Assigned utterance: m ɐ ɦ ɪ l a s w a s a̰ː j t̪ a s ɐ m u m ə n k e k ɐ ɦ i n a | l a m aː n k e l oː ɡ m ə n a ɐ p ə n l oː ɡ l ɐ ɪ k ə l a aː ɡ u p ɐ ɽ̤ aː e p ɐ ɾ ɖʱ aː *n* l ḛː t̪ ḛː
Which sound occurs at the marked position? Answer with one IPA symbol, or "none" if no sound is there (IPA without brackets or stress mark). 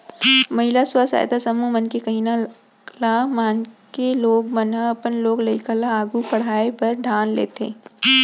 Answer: n